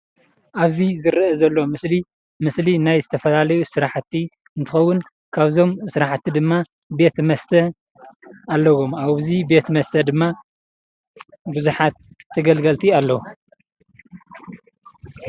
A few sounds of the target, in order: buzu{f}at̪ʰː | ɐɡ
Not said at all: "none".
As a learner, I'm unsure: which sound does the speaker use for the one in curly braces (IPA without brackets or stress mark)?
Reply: ħ